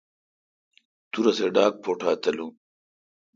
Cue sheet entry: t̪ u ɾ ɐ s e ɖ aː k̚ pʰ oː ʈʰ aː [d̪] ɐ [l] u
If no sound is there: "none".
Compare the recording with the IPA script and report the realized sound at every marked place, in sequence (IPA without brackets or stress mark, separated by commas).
t̪, l